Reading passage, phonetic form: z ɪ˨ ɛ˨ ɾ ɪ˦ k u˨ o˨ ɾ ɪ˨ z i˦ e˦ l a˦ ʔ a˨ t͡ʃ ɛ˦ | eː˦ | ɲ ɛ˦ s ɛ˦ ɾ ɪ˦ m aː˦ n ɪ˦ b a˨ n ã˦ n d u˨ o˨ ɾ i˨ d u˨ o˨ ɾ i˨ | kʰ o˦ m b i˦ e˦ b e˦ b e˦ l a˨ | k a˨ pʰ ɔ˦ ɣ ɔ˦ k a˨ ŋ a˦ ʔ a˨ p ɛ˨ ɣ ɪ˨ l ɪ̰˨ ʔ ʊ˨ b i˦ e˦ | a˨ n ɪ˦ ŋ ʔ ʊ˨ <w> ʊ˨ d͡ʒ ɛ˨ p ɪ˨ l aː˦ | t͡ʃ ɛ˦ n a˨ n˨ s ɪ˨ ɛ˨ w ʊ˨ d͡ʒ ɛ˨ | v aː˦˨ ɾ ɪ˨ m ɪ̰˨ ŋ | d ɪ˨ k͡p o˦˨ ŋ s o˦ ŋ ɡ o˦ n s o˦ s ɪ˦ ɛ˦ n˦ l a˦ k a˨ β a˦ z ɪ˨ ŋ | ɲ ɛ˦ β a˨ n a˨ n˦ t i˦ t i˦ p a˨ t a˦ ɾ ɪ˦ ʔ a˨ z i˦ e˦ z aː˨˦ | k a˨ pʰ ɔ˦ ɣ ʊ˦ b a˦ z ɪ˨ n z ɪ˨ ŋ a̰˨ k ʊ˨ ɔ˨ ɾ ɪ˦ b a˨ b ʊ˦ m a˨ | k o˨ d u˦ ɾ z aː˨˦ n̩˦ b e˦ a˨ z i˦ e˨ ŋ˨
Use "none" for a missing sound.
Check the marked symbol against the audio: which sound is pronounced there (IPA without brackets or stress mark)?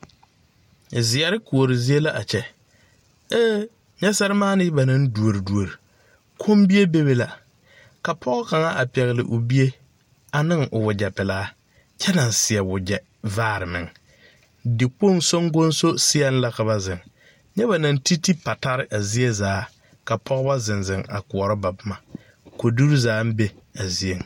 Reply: w